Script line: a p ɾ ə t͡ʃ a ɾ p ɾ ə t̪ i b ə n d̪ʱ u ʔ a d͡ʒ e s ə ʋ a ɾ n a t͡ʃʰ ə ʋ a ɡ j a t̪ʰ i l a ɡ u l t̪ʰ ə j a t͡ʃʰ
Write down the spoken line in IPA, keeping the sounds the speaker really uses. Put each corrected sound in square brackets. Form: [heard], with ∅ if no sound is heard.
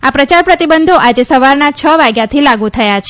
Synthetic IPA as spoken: a p ɾ ə t͡ʃ a ɾ p ɾ ə t̪ i b ə n d̪ʱ [o] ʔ a d͡ʒ e s ə ʋ a ɾ n a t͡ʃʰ ə ʋ a ɡ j a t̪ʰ i l a ɡ u [∅] t̪ʰ ə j a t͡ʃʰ